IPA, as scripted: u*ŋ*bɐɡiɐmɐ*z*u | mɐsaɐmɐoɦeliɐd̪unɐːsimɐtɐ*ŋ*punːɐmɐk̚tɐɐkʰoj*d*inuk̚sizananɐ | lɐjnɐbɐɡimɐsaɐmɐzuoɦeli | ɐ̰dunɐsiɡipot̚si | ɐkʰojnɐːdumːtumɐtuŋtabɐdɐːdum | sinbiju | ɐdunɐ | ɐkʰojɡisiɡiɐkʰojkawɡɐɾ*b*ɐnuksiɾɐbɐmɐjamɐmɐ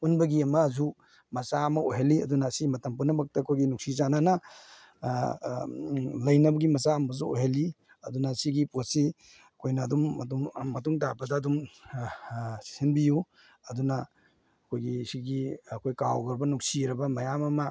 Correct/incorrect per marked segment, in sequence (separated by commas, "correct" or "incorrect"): incorrect, correct, incorrect, incorrect, correct